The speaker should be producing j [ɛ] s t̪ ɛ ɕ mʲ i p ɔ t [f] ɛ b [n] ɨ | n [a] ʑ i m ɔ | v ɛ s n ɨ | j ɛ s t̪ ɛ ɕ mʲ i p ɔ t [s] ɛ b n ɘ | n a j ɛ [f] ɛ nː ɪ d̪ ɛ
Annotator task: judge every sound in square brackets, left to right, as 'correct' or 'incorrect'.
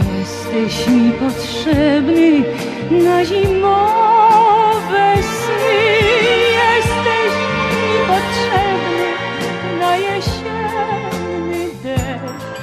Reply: correct, incorrect: ʂ, correct, correct, incorrect: ʂ, incorrect: ɕ

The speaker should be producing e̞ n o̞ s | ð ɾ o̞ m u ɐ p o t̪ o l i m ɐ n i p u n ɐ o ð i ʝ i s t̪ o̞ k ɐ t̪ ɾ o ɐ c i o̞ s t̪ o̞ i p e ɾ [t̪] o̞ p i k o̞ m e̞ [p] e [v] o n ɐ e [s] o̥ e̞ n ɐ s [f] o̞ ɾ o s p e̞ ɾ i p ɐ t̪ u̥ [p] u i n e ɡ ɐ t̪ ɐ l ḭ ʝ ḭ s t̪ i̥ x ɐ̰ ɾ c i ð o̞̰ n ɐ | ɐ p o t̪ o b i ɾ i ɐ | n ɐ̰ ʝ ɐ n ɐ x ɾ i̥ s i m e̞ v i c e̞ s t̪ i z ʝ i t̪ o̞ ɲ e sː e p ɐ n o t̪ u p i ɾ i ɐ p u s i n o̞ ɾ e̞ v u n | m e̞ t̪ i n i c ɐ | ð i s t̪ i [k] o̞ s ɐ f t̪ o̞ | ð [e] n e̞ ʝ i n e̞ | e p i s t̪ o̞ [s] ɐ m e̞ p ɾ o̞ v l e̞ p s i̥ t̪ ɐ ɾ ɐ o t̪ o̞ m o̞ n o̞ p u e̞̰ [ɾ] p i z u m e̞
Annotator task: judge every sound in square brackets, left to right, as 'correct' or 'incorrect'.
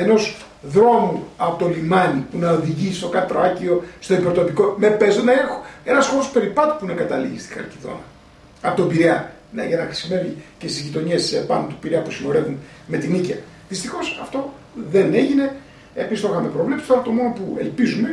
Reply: correct, correct, incorrect: z, incorrect: x, incorrect: x, correct, incorrect: x, correct, incorrect: x, incorrect: l

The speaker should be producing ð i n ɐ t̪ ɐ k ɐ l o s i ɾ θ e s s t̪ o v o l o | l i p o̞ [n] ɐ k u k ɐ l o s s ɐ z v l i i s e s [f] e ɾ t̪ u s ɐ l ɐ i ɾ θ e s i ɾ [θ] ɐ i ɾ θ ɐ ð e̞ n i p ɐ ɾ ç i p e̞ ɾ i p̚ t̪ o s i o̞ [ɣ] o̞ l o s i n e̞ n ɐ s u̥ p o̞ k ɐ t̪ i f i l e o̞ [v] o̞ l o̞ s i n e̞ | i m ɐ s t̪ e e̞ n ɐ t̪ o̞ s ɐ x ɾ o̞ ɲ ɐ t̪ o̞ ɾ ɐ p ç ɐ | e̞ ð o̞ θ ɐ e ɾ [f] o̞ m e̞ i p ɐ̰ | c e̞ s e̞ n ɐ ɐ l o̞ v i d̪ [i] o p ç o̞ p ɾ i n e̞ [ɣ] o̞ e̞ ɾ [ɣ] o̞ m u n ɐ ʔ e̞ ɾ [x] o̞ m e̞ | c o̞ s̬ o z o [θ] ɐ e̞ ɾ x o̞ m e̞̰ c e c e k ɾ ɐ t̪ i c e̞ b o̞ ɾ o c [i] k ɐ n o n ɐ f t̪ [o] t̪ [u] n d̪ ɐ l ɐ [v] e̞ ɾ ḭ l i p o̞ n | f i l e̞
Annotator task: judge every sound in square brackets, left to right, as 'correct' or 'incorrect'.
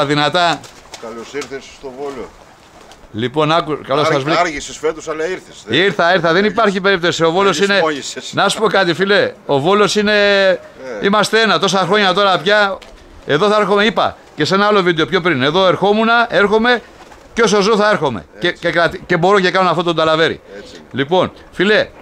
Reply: correct, correct, correct, incorrect: v, correct, incorrect: x, incorrect: e, incorrect: ð, incorrect: x, correct, correct, incorrect: e, correct, incorrect: o, correct

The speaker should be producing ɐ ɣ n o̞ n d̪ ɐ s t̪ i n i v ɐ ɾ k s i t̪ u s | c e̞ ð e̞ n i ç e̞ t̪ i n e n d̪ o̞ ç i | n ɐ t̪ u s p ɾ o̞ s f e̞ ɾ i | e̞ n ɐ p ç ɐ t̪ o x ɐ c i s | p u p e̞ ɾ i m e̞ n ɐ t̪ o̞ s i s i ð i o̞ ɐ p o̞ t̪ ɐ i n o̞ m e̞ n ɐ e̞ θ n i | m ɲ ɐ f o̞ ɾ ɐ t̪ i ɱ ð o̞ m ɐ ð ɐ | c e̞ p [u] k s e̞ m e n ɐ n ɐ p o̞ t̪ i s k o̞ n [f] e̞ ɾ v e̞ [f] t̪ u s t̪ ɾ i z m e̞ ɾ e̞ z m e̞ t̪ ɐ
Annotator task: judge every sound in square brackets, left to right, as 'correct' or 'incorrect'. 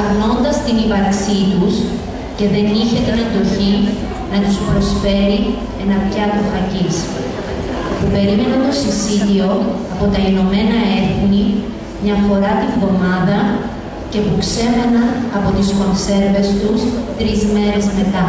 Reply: correct, incorrect: s, incorrect: s

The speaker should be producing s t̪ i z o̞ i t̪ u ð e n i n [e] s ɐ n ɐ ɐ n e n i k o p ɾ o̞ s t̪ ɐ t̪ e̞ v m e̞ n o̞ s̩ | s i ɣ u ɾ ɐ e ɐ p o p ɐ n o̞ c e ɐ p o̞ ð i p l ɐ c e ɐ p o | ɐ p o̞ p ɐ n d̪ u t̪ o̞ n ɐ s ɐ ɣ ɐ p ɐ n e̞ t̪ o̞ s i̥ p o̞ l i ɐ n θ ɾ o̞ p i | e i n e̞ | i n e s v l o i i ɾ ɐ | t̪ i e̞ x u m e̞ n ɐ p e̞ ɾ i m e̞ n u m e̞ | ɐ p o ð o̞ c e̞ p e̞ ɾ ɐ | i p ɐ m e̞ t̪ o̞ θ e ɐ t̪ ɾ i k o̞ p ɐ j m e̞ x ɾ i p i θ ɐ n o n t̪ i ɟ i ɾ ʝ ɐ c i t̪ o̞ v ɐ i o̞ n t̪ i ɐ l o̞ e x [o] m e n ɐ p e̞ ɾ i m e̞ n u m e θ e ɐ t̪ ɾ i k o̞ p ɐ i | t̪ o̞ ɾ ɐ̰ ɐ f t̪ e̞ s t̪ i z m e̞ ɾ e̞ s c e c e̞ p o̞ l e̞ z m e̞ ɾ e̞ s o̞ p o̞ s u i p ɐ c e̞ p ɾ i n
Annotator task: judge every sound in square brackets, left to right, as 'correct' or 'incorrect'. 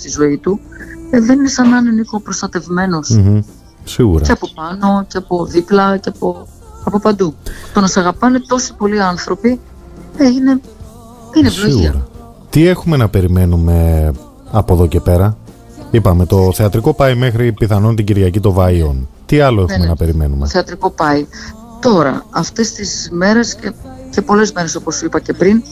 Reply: correct, incorrect: u

